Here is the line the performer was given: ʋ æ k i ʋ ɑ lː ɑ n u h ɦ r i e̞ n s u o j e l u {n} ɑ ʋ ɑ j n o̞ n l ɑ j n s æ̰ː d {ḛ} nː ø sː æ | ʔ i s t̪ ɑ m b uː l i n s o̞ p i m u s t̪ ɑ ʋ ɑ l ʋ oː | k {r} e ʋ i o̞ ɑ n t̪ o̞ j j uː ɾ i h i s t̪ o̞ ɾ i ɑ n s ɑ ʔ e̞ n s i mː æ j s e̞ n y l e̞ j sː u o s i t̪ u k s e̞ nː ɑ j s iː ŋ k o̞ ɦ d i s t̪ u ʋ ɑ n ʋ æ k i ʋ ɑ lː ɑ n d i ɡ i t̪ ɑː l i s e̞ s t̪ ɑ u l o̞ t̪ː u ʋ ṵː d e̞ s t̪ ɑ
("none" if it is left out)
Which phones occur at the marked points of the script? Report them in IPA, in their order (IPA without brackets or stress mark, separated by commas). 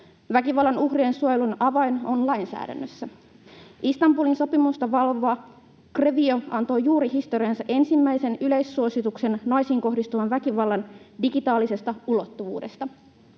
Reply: n, æ̰, r